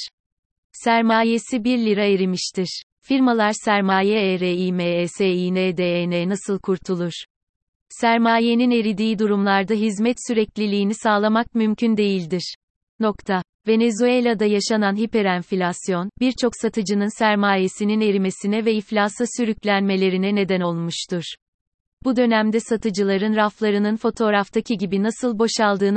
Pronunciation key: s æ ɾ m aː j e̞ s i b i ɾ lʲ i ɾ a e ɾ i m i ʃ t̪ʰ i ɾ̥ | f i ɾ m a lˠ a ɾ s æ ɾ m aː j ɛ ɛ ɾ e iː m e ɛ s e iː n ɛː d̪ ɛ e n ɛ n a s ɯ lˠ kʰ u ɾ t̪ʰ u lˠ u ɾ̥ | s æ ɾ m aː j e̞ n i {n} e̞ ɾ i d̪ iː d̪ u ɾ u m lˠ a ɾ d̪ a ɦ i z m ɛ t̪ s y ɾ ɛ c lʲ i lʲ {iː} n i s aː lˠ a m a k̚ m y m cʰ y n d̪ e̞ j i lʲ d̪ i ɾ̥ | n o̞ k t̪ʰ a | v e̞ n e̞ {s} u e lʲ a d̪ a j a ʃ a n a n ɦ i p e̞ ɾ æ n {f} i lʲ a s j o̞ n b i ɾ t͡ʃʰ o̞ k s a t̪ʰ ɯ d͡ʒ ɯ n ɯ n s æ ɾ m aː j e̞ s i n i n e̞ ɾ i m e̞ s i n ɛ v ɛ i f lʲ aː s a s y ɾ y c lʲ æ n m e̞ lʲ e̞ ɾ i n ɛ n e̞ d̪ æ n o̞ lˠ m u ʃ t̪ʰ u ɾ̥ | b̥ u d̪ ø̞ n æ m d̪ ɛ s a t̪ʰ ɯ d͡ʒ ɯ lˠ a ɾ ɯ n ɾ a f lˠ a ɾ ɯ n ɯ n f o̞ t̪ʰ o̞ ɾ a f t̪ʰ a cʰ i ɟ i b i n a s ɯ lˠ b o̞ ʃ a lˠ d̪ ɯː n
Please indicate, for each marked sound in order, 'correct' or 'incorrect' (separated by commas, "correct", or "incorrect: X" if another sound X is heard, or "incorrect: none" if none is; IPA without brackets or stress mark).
correct, correct, incorrect: z, correct